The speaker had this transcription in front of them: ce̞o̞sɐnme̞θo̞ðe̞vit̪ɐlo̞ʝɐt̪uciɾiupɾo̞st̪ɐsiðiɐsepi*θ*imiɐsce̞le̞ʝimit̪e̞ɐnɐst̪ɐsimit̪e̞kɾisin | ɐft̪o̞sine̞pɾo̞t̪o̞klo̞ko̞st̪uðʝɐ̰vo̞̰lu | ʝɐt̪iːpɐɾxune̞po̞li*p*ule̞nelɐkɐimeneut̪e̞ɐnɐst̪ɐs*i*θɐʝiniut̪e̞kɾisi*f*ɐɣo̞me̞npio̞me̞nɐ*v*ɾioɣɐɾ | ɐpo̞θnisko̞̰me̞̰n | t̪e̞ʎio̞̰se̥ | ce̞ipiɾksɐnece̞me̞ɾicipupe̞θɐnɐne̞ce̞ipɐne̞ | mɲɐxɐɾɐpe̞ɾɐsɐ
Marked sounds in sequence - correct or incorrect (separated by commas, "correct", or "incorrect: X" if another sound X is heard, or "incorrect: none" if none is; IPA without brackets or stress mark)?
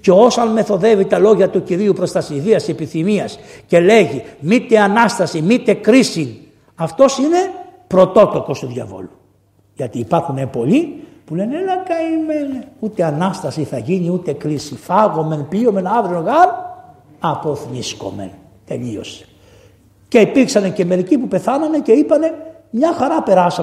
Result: correct, correct, correct, correct, correct